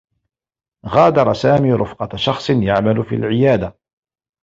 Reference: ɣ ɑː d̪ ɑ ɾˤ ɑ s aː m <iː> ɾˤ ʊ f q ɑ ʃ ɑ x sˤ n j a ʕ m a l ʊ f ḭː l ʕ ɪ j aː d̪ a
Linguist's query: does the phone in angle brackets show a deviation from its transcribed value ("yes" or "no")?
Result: no